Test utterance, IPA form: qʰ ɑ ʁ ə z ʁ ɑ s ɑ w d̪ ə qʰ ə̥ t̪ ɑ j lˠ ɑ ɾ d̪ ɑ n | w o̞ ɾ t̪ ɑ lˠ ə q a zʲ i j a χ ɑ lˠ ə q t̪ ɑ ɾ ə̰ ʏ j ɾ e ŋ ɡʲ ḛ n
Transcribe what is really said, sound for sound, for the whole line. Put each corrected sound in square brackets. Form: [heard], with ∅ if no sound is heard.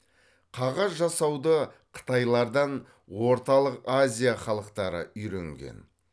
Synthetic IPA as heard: qʰ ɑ ʁ [ɑ] z [ʒ] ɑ s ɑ w d̪ ə qʰ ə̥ t̪ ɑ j lˠ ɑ ɾ d̪ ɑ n | w o̞ ɾ t̪ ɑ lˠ ə q a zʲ i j a χ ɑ lˠ ə q t̪ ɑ ɾ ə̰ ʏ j ɾ e ŋ ɡʲ ḛ n